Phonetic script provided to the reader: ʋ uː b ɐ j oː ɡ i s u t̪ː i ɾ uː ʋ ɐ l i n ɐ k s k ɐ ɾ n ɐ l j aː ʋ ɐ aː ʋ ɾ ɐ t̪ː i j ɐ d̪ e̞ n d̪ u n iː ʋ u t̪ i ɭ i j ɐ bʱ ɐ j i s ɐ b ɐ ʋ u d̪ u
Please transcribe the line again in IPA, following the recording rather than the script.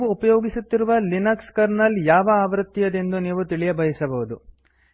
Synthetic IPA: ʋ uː p ɐ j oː ɡ i s u t̪ː i ɾ u ʋ ɐ l i n ɐ k s k ɐ ɾ n ɐ l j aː ʋ ɐ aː ʋ ɾ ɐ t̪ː i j ɐ d̪ e̞ n d̪ u n iː ʋ u t̪ i ɭ i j ɐ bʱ ɐ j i s ɐ b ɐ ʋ u d̪ u